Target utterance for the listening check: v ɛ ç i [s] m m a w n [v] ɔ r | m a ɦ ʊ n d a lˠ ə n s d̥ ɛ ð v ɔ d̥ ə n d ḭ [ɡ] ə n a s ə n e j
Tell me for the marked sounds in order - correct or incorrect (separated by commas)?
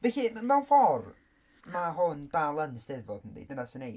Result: incorrect, incorrect, incorrect